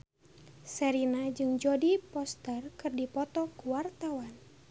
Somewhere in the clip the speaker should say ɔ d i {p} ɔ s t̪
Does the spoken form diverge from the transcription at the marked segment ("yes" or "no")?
no